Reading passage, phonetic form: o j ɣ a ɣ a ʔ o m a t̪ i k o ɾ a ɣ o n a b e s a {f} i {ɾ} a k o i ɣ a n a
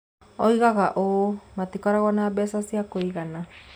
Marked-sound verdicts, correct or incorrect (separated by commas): incorrect, incorrect